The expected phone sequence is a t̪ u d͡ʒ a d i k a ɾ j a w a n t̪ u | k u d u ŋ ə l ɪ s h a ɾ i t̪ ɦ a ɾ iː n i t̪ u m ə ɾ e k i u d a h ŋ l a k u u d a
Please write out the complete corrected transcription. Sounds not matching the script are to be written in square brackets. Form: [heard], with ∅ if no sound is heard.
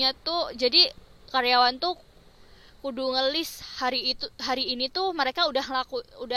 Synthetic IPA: a t̪ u d͡ʒ a d i k a ɾ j a w a n t̪ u | k u d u ŋ ə l ɪ s h a ɾ i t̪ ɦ a ɾ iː n i t̪ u m ə ɾ e k [a] u d a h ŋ l a k u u d a